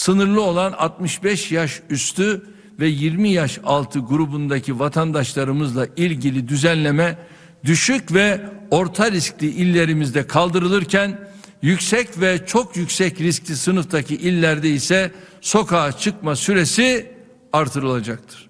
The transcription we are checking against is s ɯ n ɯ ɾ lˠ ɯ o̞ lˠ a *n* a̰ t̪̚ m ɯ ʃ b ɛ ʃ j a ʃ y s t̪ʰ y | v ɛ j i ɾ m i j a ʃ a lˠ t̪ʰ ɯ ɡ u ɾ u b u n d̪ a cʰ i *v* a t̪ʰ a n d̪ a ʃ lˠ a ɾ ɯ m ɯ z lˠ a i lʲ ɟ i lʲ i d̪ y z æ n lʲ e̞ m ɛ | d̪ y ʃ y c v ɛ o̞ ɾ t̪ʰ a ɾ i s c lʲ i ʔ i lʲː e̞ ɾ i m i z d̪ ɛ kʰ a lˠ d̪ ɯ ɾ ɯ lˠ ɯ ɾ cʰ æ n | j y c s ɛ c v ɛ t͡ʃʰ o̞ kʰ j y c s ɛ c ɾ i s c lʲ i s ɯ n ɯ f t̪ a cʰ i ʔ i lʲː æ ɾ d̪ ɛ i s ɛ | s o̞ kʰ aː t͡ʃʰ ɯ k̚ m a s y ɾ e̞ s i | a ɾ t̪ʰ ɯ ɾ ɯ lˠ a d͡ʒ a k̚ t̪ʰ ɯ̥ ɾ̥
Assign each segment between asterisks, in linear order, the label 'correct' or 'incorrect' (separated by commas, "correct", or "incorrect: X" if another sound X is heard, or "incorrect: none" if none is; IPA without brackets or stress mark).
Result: correct, correct